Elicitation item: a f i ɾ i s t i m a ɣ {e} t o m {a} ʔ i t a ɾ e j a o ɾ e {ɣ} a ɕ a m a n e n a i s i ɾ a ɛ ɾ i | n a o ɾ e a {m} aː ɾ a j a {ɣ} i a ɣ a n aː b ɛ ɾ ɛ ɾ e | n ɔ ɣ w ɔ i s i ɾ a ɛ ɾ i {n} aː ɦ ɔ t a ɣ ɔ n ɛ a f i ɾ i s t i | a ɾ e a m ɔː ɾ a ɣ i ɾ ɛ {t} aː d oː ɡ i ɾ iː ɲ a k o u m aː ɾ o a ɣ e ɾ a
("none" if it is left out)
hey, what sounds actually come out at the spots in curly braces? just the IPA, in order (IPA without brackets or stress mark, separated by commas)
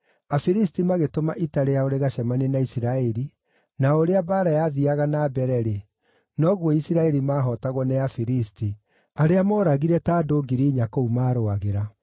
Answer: e, a, ɣ, b, ð, m, t